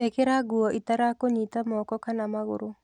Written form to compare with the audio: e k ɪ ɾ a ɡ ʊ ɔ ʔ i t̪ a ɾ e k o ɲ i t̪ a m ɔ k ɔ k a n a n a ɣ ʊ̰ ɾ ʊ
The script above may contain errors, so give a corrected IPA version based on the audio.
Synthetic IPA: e k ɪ ɾ a ɡ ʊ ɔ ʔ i t̪ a ɾ a k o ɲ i t̪ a m ɔ k ɔ k a n a m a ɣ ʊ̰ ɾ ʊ